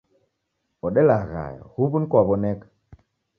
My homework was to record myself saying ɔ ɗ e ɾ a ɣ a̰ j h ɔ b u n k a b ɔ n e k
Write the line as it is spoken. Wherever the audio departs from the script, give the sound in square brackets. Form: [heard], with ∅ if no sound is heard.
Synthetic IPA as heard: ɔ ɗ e [l] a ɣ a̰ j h [u] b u n k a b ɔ n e k